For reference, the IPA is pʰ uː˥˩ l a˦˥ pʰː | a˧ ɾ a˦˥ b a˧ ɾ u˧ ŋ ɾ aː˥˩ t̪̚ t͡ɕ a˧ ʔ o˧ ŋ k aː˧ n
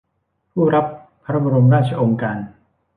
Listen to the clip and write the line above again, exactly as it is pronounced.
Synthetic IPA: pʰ uː˥˩ ɾ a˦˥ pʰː | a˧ ɾ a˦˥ b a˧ ɾ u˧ m ɾ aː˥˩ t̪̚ t͡ɕʰ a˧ ʔ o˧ ŋ k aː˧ n